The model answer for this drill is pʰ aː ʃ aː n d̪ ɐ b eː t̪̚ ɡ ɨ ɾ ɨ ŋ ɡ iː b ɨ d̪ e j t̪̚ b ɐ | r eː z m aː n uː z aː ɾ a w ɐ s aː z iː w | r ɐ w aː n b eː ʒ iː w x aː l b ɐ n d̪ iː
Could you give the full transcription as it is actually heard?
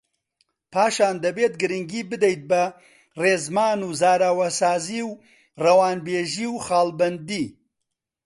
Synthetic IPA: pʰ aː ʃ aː n d̪ ɐ b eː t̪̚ ɡ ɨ ɾ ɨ ŋ ɡ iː b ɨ d̪ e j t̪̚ b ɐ | r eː z m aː n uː z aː ɾ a w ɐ s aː z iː w | r ɐ w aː n b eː ʒ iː w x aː l b ɐ n d̪ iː